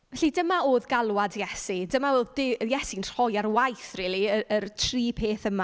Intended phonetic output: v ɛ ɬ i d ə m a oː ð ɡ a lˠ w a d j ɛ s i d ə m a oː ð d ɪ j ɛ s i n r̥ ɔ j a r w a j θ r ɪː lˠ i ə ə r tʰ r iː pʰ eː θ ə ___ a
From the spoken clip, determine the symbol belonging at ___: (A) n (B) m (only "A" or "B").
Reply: B